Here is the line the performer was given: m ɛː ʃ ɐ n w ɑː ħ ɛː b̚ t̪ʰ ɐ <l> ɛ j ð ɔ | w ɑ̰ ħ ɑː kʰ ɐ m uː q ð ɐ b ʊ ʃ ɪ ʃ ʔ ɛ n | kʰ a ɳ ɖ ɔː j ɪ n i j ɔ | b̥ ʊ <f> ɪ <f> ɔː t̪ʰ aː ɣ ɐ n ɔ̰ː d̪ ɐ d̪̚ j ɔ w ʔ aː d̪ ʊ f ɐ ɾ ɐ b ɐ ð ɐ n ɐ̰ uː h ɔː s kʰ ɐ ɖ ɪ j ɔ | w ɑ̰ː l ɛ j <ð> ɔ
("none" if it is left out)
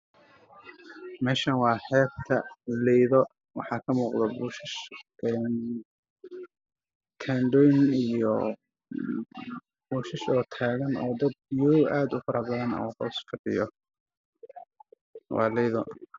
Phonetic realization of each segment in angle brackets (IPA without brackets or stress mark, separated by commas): l, ʃ, ʃ, ð